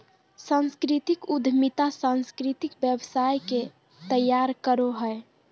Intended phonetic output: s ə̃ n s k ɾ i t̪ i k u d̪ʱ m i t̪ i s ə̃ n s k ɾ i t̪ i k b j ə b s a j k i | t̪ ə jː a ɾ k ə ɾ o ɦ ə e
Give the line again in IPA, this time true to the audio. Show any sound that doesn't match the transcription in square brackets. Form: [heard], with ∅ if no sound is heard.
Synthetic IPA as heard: s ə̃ n s k ɾ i t̪ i k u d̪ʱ m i t̪ [a] s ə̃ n s k ɾ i t̪ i k b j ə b s a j k [e] | t̪ ə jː a ɾ k ə ɾ o ɦ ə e